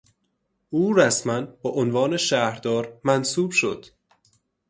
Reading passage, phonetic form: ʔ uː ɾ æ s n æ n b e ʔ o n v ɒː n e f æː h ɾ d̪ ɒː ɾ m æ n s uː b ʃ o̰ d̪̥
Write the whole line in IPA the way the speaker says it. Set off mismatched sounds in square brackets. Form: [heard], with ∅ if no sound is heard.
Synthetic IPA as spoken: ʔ uː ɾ æ s [m] æ n b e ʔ o n v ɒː n e [ʃ] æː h ɾ d̪ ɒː ɾ m æ n s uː b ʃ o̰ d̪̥